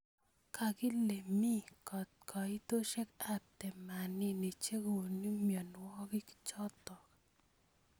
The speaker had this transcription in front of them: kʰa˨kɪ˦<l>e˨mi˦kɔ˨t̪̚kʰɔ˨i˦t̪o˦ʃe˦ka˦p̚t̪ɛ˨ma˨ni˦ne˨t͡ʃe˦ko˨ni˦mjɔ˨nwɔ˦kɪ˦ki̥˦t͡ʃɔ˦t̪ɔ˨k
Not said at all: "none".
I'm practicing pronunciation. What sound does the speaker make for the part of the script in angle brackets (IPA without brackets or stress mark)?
l